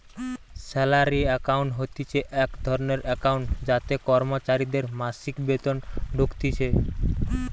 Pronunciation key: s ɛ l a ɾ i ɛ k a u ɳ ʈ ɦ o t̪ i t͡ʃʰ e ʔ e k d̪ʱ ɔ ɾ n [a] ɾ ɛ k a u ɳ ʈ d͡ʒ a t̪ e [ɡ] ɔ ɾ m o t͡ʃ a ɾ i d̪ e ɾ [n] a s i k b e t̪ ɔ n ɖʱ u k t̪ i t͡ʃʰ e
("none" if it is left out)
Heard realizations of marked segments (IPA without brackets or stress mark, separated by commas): e, k, m